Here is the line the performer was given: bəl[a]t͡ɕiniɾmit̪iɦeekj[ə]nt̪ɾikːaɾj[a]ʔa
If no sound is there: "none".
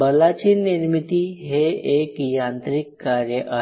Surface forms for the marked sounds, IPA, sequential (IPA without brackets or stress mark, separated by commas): a, a, ə